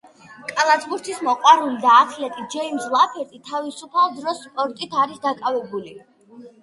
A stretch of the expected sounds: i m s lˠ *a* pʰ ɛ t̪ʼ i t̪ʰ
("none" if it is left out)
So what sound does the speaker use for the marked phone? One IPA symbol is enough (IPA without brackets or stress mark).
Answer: a